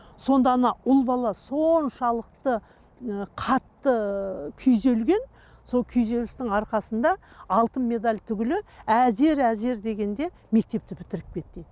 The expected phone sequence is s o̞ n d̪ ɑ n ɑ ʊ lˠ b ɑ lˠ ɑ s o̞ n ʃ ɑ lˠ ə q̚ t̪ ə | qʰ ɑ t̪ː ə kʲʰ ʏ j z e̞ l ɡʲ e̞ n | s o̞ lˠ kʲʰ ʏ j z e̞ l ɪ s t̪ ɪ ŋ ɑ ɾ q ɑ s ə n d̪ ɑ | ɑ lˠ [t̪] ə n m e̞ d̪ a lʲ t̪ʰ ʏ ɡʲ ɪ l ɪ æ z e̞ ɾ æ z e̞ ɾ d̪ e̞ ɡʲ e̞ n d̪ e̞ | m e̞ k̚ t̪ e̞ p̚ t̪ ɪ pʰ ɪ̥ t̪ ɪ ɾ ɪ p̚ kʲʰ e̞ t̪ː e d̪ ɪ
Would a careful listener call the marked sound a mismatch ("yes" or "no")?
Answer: no